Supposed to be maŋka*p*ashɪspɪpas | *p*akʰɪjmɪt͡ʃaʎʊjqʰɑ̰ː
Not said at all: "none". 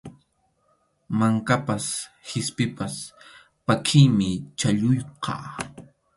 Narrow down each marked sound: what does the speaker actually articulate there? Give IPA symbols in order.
p, p

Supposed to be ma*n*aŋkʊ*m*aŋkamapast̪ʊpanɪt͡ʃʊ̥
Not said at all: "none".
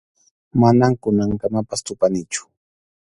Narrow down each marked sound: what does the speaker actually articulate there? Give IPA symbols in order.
n, n

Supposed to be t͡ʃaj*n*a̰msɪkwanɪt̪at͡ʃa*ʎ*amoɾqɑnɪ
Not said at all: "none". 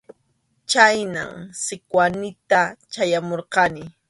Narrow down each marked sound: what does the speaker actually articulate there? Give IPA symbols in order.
n, j

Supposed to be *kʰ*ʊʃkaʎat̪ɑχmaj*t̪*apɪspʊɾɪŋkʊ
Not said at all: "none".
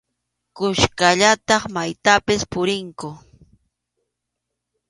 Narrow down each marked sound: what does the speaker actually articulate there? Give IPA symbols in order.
k, t̪

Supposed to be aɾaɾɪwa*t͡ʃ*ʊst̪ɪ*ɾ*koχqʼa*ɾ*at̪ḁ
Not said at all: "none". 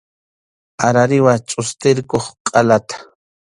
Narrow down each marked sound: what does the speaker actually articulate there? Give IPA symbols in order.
t͡ʃʼ, ɾ, l

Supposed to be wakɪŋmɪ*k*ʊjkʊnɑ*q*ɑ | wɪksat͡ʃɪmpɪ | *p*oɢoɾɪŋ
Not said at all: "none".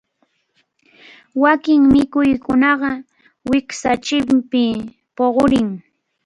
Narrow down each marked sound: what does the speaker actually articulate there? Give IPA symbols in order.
k, ɢ, p

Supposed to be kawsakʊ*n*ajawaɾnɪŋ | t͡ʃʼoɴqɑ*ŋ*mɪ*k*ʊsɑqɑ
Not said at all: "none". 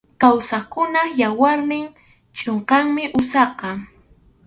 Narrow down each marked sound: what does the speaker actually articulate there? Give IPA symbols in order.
n, ŋ, ʔ

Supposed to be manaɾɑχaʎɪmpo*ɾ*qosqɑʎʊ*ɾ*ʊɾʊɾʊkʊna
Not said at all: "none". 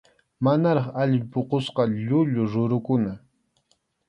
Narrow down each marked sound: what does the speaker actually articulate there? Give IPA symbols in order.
none, ʎ

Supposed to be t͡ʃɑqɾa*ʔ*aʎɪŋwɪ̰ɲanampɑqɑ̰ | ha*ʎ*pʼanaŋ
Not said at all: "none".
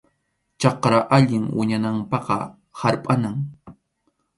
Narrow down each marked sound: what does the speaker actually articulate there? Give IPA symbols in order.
ʔ, ɾ

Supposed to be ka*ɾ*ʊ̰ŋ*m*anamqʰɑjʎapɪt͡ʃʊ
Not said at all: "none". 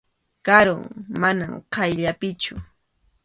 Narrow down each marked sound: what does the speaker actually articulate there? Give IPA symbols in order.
ɾ, m

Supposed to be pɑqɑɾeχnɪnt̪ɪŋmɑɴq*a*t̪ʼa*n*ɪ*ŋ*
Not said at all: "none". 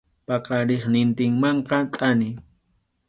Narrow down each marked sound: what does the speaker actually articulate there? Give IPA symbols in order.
ɑ, n, none

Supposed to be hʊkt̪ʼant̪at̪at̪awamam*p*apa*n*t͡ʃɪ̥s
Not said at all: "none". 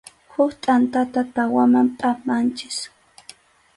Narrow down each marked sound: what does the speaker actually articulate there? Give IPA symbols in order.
pʼ, n

